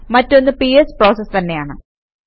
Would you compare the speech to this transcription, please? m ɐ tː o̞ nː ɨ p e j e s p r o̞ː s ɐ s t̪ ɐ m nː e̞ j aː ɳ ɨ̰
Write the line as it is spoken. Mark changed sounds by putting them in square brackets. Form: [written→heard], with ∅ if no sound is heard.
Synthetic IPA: m ɐ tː o̞ nː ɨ p [e→i] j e s p r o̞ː s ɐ s t̪ ɐ [m→∅] nː e̞ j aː ɳ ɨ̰